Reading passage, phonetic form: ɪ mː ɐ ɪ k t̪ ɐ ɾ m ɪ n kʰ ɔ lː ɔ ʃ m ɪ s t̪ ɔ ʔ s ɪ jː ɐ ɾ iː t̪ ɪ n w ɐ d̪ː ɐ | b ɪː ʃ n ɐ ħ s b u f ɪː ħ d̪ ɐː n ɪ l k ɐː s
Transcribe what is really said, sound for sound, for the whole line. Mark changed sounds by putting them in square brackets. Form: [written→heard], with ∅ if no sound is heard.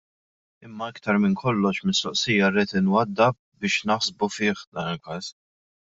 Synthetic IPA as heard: ɪ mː ɐ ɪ k t̪ ɐ ɾ m ɪ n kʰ ɔ lː ɔ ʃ m ɪ s t̪ ɔ ʔ s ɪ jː ɐ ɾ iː t̪ ɪ n w ɐ d̪ː ɐ | b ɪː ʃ n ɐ ħ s b u f ɪː ħ d̪ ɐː n ɪ l k ɐː s